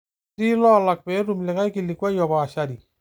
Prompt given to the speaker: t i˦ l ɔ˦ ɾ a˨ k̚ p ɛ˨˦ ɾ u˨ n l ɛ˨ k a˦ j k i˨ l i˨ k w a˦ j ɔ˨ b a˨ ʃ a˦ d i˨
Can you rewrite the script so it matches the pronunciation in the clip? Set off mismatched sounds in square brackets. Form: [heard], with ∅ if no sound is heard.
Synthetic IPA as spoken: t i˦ l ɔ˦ [l] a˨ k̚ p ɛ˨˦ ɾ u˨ [m] l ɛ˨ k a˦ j k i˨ l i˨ k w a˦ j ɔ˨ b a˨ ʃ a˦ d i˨